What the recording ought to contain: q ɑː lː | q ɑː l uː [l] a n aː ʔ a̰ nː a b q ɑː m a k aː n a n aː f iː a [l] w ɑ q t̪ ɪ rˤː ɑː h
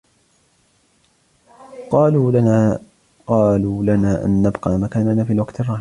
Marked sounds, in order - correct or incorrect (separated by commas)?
correct, correct